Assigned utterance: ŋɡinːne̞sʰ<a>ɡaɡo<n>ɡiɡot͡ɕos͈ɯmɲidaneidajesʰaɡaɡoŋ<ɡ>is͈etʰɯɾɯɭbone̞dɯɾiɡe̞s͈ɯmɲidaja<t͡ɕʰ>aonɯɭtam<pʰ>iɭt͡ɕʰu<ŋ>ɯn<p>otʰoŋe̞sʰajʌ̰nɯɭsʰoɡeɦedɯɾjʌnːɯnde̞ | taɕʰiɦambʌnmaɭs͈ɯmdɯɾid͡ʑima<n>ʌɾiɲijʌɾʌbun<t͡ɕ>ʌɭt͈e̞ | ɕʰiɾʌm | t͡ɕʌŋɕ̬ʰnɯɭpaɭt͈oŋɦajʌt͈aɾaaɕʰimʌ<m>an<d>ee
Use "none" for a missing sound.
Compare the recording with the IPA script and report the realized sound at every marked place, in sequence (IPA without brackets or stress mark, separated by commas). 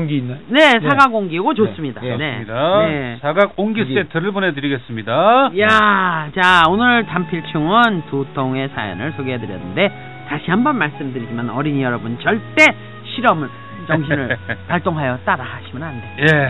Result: a, ŋ, ɡ, t͡ɕ, pʰ, ŋ, t, n, t͡ɕ, n, d